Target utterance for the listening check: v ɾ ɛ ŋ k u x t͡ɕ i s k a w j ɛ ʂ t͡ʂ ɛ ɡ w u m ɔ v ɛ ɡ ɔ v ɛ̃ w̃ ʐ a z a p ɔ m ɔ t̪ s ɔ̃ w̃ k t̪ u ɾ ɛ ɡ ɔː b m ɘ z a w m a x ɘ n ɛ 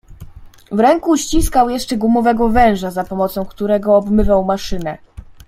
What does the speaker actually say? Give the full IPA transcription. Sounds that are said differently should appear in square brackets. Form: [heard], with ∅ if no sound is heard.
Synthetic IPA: v ɾ ɛ ŋ k u [ɕ] t͡ɕ i s k a w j ɛ ʂ t͡ʂ ɛ ɡ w u m ɔ v ɛ ɡ ɔ v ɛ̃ w̃ ʐ a z a p ɔ m ɔ t̪ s ɔ̃ w̃ k t̪ u ɾ ɛ ɡ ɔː b m ɘ [v] a w m a [ʂ] ɘ n ɛ